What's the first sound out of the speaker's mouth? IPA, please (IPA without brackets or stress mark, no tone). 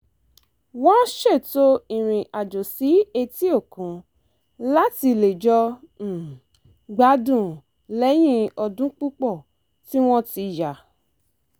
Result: w